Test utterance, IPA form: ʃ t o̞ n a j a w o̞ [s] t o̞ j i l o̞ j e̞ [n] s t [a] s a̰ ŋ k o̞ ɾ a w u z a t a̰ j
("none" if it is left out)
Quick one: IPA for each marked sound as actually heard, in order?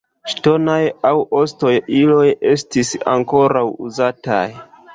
s, none, i

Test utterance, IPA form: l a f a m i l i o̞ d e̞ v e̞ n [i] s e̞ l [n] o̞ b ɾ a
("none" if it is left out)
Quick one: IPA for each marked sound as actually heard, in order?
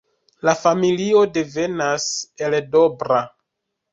a, d

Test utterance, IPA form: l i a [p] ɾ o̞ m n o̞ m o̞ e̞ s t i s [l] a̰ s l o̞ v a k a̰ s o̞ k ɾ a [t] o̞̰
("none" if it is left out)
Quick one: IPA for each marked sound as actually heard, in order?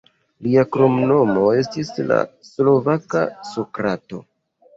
k, l, t

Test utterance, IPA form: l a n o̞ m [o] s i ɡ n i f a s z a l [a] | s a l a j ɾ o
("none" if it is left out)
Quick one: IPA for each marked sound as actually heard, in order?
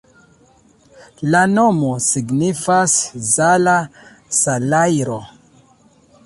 o, a

